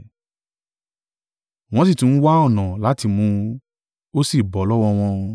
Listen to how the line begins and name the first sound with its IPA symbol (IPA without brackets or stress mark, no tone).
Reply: w̃